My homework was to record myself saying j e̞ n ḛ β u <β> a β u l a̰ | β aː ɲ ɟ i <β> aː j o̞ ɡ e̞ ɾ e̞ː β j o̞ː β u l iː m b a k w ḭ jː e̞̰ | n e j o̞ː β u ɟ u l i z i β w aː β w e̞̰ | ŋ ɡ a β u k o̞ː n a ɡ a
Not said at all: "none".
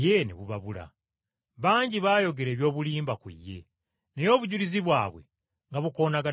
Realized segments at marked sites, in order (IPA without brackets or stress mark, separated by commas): β, β